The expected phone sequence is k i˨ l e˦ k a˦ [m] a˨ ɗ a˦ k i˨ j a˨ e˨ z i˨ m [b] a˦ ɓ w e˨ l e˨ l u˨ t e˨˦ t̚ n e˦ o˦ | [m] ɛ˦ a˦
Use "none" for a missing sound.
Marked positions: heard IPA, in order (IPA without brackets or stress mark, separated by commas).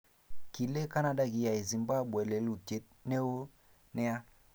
n, b, n